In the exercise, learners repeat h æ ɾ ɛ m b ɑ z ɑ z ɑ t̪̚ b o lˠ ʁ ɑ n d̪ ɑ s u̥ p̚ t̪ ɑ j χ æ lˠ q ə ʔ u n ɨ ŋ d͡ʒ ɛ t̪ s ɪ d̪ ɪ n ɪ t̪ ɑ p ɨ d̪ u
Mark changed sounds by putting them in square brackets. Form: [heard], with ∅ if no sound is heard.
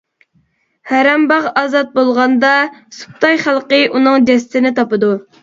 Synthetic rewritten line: h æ ɾ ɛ m b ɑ [ʁ] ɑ z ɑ t̪̚ b o lˠ ʁ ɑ n d̪ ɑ s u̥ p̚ t̪ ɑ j χ æ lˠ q ə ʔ u n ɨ ŋ d͡ʒ ɛ [∅] s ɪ [t̪] ɪ n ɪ t̪ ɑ p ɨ d̪ u